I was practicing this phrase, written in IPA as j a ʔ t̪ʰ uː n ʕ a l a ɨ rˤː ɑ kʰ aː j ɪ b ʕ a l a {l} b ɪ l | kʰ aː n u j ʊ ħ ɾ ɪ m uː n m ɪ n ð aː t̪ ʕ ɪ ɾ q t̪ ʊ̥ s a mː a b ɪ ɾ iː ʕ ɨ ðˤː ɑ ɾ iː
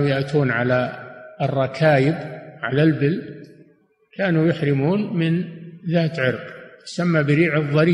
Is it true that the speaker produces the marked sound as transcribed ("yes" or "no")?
yes